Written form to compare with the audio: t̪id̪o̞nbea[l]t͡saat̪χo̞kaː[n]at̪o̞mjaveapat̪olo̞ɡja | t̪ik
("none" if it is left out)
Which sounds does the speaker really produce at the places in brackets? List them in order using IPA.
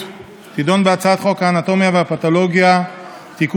none, n

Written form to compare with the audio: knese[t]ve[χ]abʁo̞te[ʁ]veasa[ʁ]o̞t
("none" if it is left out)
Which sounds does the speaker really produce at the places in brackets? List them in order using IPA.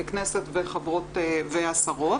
t, χ, none, ʁ

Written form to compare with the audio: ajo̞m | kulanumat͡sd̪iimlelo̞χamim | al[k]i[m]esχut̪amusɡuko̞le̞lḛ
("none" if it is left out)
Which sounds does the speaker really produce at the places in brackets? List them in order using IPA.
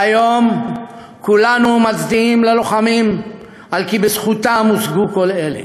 k, b

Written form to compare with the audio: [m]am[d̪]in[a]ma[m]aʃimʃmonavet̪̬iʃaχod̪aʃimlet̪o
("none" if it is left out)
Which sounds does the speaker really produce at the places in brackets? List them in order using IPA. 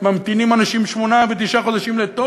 m, t̪, i, n

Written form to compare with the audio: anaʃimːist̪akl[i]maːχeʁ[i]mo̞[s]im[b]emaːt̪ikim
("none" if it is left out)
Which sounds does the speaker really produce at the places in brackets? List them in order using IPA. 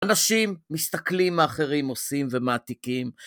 i, i, s, v

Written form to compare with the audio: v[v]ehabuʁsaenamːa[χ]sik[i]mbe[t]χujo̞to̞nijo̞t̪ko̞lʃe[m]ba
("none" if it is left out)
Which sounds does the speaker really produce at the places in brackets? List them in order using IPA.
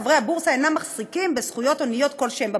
ʁ, χ, i, s, m

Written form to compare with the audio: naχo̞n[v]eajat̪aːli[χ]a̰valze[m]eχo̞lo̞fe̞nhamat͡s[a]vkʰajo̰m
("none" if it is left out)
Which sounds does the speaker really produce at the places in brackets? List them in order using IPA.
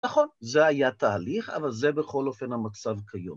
z, χ, b, a

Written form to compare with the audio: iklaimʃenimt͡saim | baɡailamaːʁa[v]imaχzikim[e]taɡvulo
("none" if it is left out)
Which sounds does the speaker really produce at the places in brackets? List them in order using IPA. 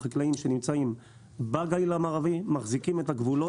v, e

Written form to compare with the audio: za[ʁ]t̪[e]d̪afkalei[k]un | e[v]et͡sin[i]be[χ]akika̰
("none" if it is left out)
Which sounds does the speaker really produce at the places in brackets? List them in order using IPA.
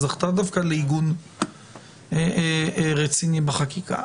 χ, a, ɡ, ʁ, i, χ

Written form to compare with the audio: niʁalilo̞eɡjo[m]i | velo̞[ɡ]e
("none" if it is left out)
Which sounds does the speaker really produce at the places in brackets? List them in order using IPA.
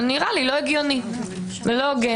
n, ɡ

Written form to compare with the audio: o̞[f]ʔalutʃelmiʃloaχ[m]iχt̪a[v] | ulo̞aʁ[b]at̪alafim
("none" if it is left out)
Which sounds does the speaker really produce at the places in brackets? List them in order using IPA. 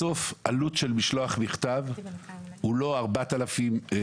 f, m, v, b

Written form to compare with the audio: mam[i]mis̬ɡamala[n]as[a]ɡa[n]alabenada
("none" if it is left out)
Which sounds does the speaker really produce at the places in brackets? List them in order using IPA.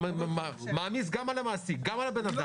a, m, i, m

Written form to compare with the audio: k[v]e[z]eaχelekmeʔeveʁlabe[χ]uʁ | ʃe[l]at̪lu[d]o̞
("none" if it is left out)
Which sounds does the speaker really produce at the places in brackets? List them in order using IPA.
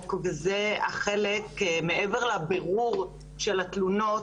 v, z, ʁ, l, n

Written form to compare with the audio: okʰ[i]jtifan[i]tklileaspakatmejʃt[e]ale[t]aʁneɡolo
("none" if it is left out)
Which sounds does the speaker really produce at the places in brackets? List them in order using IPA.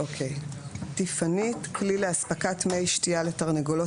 e, i, i, t

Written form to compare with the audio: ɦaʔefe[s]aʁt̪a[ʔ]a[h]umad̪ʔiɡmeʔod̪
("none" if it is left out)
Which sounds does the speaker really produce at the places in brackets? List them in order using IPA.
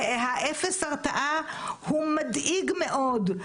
s, ʔ, h

